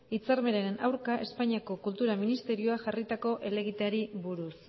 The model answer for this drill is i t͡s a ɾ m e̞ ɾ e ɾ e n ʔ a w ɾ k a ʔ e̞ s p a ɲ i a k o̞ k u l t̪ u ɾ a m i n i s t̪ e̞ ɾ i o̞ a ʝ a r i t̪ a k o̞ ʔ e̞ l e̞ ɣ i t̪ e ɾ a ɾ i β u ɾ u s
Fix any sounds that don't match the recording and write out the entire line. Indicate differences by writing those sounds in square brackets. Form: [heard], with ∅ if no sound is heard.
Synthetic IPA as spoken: i t͡s a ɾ m e̞ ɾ e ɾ e n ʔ a w ɾ k a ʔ e̞ s p a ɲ i a k o̞ k u l t̪ u ɾ a m i n i s t̪ e̞ ɾ i o̞ a ʝ a r i t̪ a k o̞ ʔ e̞ l e̞ ɣ i t̪ e [∅] a ɾ i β u ɾ u s